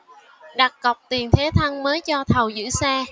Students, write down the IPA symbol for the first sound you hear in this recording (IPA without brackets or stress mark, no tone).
ɗ